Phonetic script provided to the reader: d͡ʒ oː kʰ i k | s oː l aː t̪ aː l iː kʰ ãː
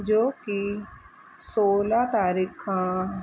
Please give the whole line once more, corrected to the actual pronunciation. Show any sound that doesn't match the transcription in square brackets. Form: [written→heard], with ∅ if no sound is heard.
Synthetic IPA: d͡ʒ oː [kʰ→k] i [k→∅] | s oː l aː t̪ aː [l→ɾ] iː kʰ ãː

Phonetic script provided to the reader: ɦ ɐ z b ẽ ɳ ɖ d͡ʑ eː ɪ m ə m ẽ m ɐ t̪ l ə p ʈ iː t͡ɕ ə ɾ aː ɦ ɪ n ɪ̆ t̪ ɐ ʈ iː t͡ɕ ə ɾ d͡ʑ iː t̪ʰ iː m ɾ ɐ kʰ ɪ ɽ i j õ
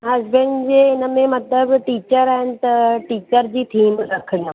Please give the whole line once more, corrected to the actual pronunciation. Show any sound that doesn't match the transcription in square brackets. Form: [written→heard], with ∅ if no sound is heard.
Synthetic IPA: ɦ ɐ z b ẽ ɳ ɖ d͡ʑ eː ɪ [m→n] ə m ẽ m ɐ t̪ l ə [p→b] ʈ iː t͡ɕ ə ɾ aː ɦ ɪ n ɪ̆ t̪ ɐ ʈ iː t͡ɕ ə ɾ d͡ʑ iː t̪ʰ iː m ɾ ɐ kʰ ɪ ɽ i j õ

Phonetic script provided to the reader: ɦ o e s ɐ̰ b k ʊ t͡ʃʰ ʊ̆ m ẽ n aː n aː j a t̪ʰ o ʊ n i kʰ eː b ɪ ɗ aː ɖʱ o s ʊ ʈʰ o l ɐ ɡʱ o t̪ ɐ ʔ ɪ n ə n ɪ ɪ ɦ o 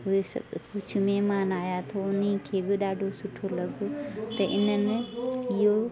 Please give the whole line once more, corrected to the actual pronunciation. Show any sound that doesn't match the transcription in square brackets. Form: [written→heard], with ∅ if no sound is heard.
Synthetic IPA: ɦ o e s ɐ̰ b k ʊ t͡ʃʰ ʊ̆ m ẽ [n→m] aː n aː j a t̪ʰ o ʊ n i kʰ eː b ɪ ɗ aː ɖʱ o s ʊ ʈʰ o l ɐ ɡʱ o t̪ ɐ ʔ ɪ n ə n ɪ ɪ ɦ o

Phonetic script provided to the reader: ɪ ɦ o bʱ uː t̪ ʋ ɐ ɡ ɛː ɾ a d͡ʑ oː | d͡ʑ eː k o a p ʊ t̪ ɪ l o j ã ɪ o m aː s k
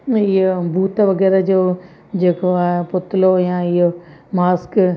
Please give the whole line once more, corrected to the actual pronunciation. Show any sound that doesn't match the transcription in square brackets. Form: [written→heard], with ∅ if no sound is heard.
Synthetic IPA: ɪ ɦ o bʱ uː t̪ ʋ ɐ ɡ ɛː ɾ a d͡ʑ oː | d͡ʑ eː k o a p ʊ t̪ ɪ l o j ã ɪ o m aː s k

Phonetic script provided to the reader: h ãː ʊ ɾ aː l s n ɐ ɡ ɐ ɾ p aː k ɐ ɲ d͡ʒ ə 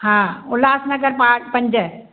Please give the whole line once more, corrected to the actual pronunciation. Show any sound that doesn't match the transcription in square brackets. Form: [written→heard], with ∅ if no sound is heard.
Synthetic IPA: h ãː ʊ [ɾ→l] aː [l→∅] s n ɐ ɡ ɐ ɾ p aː [k→p] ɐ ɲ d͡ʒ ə

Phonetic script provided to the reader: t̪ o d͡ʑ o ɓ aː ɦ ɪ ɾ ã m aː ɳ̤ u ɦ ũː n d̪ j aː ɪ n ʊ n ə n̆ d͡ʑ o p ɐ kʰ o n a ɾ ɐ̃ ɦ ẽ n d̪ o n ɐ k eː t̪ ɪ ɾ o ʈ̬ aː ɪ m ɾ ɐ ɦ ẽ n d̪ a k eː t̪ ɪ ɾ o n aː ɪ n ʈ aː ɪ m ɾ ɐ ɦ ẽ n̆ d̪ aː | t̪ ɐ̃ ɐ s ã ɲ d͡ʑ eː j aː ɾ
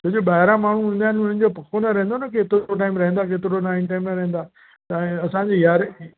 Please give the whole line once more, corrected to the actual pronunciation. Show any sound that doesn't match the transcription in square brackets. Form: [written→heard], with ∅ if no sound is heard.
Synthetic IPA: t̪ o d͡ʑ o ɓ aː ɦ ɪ ɾ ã m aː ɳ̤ u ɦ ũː n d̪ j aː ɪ n ʊ n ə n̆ d͡ʑ o p ɐ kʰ o n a ɾ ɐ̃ ɦ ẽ n d̪ o n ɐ k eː t̪ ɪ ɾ o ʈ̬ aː ɪ m ɾ ɐ ɦ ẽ n d̪ a k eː t̪ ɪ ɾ o n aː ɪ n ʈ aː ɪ m ɾ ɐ ɦ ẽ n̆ d̪ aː | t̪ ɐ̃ ɐ s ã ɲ d͡ʑ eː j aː ɾ

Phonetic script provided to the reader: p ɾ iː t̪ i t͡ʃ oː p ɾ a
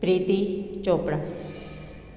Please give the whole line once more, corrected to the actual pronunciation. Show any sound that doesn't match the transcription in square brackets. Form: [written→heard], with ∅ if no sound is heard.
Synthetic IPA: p ɾ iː t̪ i t͡ʃ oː p [ɾ→ɽ] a

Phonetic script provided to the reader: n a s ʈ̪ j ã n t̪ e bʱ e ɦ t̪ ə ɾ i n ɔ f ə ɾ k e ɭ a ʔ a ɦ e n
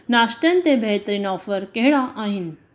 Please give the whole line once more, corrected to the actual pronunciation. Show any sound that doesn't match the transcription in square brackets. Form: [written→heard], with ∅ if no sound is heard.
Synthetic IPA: n a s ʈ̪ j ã n t̪ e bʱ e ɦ t̪ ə ɾ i n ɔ f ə ɾ k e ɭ a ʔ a ɦ [e→i] n

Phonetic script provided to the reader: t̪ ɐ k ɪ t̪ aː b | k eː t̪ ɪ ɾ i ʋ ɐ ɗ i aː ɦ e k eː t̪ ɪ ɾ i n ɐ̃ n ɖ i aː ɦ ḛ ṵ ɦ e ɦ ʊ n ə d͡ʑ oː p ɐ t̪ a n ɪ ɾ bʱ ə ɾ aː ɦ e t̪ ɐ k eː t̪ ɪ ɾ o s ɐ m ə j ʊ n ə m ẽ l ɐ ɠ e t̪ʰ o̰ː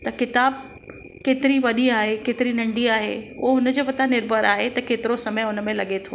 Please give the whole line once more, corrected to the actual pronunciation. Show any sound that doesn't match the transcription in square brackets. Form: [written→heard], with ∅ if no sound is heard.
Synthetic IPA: t̪ ɐ k ɪ t̪ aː b | k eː t̪ ɪ ɾ i ʋ ɐ ɗ i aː ɦ e k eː t̪ ɪ ɾ i n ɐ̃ [n→ɳ] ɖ i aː ɦ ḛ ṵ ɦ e ɦ ʊ n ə d͡ʑ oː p ɐ t̪ a n ɪ ɾ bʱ ə ɾ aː ɦ e t̪ ɐ k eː t̪ ɪ ɾ o s ɐ m ə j ʊ n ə m ẽ l ɐ ɠ e t̪ʰ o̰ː

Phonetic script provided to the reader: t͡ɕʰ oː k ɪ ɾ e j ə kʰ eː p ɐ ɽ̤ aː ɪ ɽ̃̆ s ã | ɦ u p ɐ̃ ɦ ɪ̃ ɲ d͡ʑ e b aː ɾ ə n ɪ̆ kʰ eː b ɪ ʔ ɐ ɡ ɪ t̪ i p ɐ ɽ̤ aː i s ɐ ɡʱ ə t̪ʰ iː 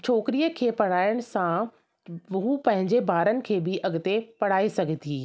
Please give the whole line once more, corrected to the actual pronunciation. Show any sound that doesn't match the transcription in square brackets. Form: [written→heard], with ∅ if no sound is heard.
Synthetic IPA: t͡ɕʰ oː k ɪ ɾ [e→i] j ə kʰ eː p ɐ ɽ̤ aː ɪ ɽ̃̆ s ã | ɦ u p ɐ̃ ɦ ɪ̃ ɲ d͡ʑ e b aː ɾ ə n ɪ̆ kʰ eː b ɪ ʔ ɐ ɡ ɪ t̪ [i→e] p ɐ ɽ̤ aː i s ɐ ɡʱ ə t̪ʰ iː

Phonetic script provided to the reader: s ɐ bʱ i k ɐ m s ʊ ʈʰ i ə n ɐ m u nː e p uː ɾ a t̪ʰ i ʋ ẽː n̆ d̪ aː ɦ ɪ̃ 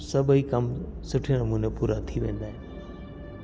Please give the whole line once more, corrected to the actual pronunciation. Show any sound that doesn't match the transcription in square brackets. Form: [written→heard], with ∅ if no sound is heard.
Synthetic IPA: s ɐ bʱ i k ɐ m s ʊ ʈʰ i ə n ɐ m u [nː→n] e p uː ɾ a t̪ʰ i ʋ ẽː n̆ d̪ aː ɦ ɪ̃

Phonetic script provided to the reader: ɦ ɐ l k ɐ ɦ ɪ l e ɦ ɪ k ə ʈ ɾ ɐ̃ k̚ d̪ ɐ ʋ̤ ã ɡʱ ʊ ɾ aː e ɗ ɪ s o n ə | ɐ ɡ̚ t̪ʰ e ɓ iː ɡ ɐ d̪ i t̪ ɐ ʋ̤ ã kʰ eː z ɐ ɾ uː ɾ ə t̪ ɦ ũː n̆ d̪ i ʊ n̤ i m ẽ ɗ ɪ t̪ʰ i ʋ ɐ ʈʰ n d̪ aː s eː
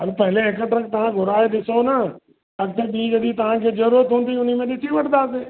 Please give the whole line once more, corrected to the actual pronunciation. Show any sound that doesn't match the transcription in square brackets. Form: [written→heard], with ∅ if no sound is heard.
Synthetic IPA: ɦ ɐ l [k→p] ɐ ɦ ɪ l e ɦ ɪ k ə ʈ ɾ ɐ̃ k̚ [d̪→t̪] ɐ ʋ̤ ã ɡʱ ʊ ɾ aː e ɗ ɪ s o n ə | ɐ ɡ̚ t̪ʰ e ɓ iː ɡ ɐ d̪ i t̪ ɐ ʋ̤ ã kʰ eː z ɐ ɾ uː ɾ ə t̪ ɦ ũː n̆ d̪ i ʊ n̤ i m ẽ ɗ ɪ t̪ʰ i ʋ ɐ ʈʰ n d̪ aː s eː

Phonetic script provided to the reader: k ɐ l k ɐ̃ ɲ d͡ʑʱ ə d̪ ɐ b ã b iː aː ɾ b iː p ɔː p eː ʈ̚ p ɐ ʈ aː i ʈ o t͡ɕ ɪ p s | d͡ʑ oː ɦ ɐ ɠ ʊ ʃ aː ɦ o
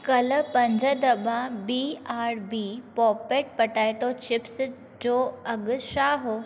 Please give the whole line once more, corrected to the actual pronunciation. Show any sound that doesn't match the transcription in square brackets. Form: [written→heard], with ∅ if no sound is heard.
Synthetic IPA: k ɐ l [k→p] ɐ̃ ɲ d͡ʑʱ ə d̪ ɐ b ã b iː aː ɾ b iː p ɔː p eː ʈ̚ p ɐ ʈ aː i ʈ o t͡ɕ ɪ p s | d͡ʑ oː [ɦ→∅] ɐ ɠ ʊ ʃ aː ɦ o

